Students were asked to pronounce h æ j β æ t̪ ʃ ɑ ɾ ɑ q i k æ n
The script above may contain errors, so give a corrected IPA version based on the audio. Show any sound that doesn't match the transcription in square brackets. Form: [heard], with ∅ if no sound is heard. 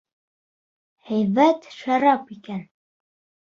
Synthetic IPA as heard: h æ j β æ t̪ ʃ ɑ ɾ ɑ [p] i k æ n